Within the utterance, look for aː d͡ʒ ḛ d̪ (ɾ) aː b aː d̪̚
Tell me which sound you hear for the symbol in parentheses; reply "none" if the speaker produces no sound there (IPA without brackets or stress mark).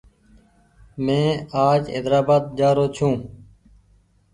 ɾ